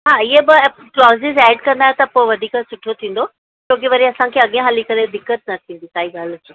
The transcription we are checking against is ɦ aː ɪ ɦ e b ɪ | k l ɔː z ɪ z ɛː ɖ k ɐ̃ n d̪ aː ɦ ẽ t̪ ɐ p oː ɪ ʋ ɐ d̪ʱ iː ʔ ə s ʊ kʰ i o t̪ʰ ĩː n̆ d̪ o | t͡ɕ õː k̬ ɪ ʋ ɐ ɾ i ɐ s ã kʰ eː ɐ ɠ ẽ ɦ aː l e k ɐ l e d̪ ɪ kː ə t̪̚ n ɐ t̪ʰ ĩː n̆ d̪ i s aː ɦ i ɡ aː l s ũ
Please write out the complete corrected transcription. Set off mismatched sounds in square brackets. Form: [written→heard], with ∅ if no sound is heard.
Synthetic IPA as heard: ɦ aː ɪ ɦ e b ɪ | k l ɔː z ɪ z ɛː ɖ k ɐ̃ n d̪ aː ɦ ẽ t̪ ɐ p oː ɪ ʋ ɐ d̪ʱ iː [ʔ→k] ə s ʊ [kʰ→ʈʰ] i o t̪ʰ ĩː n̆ d̪ o | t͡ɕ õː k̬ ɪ ʋ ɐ ɾ i ɐ s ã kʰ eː ɐ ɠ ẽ ɦ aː l [e→i] k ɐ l e d̪ ɪ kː ə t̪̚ n ɐ t̪ʰ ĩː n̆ d̪ i s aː ɦ i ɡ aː l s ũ